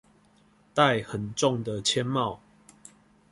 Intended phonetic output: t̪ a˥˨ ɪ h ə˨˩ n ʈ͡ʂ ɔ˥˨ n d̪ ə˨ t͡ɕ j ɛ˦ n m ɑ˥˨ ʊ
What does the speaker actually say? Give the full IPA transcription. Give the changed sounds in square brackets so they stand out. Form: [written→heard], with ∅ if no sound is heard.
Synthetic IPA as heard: t̪ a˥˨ ɪ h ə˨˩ n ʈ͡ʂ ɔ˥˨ [n→ŋ] d̪ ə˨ [t͡ɕ→t͡ɕʰ] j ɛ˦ n m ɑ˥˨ ʊ